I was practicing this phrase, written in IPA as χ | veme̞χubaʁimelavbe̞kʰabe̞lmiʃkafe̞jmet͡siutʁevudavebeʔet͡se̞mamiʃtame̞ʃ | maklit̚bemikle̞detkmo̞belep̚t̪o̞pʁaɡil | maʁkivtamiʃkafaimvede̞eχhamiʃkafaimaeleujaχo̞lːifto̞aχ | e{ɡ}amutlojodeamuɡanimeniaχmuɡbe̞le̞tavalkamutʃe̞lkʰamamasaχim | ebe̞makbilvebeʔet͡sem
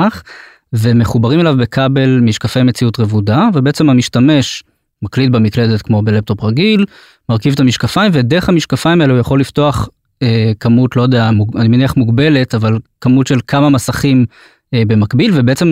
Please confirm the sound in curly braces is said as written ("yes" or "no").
no